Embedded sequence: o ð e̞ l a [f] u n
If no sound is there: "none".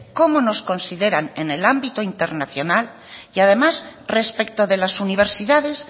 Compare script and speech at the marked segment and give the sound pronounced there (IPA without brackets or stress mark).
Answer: s